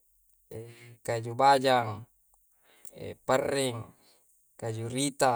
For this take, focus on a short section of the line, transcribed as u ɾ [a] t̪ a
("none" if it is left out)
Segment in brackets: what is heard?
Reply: i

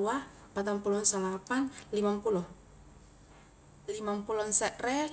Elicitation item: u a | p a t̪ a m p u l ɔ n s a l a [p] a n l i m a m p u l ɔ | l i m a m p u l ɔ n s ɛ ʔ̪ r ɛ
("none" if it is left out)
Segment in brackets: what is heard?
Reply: p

